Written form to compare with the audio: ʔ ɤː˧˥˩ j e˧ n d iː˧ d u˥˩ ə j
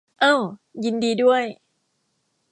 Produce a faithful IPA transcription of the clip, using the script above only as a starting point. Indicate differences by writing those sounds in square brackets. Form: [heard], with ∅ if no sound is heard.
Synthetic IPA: ʔ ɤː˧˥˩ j [i˧] n d iː˧ d u˥˩ ə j